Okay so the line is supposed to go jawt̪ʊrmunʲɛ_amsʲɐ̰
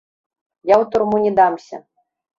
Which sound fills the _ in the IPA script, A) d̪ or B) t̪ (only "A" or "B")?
A